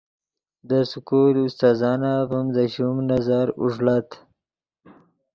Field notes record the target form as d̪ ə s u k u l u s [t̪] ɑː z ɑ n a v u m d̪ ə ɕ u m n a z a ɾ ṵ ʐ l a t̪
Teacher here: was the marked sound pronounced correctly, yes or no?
yes